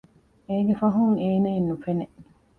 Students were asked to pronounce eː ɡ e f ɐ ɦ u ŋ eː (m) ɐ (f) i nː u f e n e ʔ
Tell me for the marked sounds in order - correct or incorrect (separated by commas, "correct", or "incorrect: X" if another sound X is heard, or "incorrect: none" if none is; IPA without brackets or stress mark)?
incorrect: n, incorrect: none